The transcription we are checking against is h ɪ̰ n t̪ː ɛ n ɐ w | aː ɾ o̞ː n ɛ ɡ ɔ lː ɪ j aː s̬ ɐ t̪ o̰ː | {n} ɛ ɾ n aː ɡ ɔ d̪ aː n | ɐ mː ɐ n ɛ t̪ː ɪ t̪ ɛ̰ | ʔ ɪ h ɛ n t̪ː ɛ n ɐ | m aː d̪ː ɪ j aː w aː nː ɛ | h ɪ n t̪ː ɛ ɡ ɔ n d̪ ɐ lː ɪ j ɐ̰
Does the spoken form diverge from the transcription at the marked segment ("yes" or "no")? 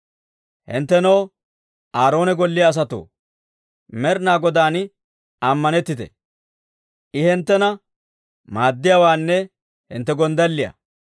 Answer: yes